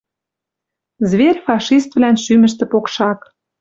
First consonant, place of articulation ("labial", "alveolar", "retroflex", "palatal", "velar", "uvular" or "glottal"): alveolar